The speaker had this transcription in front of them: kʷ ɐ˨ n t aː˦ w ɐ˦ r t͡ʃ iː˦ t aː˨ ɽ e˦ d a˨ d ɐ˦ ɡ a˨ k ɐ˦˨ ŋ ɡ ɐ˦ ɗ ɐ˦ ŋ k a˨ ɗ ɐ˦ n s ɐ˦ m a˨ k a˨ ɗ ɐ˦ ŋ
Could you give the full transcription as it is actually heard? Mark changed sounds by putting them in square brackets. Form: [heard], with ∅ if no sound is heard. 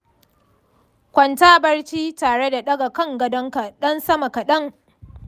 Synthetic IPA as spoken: kʷ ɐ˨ n t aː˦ [b] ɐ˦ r t͡ʃ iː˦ t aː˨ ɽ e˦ d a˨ [ɗ] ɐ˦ ɡ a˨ k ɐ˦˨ ŋ ɡ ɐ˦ [d] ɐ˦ ŋ k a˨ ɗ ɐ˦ n s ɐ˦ m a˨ k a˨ ɗ ɐ˦ ŋ

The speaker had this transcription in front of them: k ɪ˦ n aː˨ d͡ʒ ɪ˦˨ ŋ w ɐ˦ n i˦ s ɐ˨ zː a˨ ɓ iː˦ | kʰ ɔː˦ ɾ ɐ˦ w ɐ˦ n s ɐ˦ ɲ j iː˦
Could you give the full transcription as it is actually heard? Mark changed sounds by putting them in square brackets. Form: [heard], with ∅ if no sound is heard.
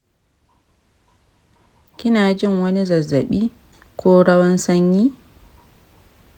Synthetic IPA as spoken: k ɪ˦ n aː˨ d͡ʒ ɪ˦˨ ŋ w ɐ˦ n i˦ [z] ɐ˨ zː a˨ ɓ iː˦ | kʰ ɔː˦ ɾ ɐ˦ w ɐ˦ n s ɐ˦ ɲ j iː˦

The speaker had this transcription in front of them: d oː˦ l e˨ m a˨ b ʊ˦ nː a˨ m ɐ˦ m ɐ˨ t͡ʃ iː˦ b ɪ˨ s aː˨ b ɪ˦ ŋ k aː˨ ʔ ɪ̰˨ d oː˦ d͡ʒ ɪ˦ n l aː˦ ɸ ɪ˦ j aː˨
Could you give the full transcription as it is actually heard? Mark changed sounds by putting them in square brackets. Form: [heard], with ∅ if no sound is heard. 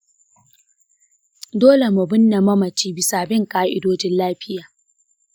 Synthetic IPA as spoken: d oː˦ l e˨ m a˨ b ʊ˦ nː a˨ m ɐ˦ m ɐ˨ t͡ʃ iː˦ b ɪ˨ s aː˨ b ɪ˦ ŋ k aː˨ ʔ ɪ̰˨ d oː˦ d͡ʒ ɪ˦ n l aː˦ ɸ ɪ˦ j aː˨

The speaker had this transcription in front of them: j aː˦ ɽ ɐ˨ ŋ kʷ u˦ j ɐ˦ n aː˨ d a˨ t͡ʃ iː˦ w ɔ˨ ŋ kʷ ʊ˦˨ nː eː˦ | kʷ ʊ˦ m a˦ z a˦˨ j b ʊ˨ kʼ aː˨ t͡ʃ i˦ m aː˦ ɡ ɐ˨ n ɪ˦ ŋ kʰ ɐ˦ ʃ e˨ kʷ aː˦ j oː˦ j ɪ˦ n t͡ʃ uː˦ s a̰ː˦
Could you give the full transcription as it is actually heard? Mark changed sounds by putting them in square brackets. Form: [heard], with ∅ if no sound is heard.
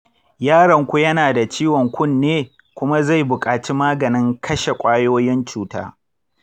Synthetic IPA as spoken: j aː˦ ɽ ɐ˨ ŋ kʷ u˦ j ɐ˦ n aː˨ d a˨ t͡ʃ iː˦ w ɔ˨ ŋ kʷ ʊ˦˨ nː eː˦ | kʷ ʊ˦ m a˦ z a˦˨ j b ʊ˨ kʼ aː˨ t͡ʃ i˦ m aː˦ ɡ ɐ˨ n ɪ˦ ŋ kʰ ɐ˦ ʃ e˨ [kʷʼ] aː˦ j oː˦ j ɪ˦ n t͡ʃ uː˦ [t] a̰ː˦

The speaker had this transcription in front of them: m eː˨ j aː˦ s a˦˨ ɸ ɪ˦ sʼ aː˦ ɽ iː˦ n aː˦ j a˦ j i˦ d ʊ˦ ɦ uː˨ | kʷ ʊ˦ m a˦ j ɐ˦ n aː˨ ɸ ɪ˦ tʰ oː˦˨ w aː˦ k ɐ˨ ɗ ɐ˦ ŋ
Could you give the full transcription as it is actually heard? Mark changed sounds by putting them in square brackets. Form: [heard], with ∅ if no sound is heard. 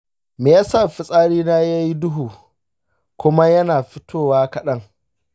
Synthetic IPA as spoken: m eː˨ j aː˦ s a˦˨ ɸ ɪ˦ sʼ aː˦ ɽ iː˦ n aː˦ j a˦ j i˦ d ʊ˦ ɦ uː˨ | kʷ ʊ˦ m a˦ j ɐ˦ n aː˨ ɸ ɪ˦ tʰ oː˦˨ w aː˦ k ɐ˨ ɗ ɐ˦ ŋ

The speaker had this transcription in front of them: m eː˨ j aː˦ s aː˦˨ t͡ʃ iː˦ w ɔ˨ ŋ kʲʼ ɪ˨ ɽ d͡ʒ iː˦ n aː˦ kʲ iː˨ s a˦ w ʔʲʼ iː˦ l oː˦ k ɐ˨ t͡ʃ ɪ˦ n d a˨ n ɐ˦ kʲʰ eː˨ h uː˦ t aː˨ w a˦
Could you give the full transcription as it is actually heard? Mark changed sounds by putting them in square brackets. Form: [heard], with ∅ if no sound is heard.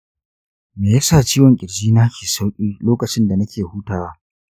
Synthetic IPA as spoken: m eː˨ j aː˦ s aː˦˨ t͡ʃ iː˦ w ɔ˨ ŋ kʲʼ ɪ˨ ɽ d͡ʒ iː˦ n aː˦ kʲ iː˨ s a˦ w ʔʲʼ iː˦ l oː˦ k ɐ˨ t͡ʃ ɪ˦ n d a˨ n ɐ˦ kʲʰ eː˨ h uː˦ t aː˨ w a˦

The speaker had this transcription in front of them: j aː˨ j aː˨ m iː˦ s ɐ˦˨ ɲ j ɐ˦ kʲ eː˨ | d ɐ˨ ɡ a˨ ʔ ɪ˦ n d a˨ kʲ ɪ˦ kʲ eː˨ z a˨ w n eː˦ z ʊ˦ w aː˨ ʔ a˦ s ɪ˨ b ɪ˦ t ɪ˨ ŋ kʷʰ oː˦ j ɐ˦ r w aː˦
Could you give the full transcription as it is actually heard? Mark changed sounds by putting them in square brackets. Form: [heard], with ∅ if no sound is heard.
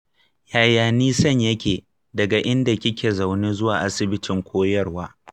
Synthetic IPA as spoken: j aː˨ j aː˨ [n] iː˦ s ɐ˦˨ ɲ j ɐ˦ kʲ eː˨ | d ɐ˨ ɡ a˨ ʔ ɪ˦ n d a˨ kʲ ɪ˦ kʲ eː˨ z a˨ w n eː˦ z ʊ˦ w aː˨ ʔ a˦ s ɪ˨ b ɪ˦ t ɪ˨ ŋ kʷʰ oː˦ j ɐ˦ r w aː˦

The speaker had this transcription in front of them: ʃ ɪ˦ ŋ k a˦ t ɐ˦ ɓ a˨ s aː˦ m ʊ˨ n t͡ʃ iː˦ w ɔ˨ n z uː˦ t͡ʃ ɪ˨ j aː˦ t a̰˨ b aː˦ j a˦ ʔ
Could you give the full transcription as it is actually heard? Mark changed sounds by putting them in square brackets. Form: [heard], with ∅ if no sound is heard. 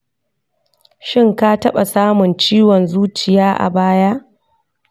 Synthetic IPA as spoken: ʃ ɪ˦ ŋ k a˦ t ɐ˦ ɓ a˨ s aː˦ m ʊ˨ n t͡ʃ iː˦ w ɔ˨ n z uː˦ t͡ʃ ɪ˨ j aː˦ [ʔ] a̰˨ b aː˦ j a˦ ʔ

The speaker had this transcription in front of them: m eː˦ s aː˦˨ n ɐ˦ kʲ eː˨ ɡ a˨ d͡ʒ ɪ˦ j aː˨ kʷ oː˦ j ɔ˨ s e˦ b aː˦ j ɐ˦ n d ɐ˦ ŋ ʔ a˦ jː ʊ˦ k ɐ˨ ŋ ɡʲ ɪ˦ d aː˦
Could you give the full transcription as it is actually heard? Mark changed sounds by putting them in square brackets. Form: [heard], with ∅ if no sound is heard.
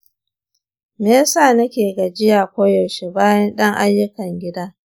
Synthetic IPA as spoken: m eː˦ s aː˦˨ n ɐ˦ kʲ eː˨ ɡ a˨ d͡ʒ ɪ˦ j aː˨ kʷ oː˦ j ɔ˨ [ʃ] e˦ b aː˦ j ɐ˦ n [ɗ] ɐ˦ ŋ ʔ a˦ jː ʊ˦ k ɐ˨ ŋ ɡʲ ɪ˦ d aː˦

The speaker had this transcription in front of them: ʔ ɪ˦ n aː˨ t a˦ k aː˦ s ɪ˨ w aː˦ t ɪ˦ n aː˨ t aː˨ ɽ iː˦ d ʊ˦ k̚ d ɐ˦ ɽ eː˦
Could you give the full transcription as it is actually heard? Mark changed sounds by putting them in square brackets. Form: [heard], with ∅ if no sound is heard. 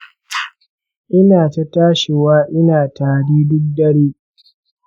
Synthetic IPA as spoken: ʔ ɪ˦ n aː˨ t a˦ [t] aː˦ [ʃ] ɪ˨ w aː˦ [ʔ] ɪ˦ n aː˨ t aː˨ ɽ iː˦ d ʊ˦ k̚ d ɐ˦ ɽ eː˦

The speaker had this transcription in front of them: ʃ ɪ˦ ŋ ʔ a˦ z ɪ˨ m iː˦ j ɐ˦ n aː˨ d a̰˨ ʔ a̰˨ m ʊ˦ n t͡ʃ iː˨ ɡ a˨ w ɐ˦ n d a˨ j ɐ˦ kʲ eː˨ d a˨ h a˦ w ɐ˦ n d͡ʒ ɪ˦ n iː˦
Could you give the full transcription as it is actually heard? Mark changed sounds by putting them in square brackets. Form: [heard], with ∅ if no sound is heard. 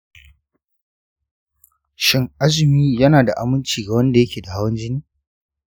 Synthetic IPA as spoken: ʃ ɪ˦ ŋ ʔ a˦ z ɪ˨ m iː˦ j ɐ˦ n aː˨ d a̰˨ ʔ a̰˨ m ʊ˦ n t͡ʃ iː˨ ɡ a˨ w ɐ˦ n d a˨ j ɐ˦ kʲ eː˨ d a˨ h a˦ w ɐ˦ n d͡ʒ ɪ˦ n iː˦

